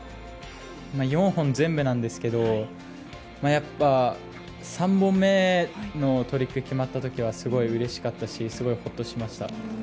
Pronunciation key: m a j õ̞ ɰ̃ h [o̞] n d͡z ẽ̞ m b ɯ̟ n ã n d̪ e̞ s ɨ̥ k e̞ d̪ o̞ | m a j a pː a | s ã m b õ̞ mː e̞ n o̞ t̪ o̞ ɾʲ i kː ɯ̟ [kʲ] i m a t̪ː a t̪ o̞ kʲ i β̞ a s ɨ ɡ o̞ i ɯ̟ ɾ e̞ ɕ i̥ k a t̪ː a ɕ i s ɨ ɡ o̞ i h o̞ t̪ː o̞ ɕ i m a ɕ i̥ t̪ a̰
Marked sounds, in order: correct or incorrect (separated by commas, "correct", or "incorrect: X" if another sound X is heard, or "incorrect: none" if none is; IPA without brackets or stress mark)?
incorrect: õ̞, correct